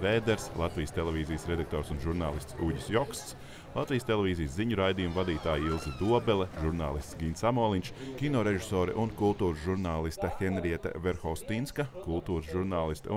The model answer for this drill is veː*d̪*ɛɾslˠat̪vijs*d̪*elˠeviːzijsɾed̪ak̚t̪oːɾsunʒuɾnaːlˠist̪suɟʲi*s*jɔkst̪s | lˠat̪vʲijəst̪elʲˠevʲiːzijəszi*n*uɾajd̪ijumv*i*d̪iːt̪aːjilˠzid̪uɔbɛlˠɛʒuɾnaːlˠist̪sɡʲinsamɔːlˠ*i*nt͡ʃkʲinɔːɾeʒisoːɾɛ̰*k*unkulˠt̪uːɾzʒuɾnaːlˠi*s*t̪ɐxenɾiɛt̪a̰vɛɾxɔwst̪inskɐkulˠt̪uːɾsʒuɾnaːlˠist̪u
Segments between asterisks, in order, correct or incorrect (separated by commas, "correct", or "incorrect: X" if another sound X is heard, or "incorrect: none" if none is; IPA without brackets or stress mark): correct, incorrect: t̪, correct, incorrect: ɲ, incorrect: a, correct, incorrect: ʔ, correct